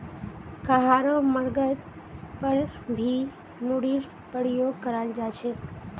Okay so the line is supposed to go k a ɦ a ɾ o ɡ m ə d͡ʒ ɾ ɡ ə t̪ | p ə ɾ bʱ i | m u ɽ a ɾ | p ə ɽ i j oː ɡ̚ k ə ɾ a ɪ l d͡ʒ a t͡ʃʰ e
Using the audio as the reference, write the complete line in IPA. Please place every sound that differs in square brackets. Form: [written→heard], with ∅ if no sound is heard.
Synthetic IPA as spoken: k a ɦ a ɾ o [ɡ→∅] m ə [d͡ʒ→∅] ɾ ɡ ə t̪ | p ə ɾ bʱ i | m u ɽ [a→i] ɾ | p ə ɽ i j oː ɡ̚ k ə ɾ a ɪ l d͡ʒ a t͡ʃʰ e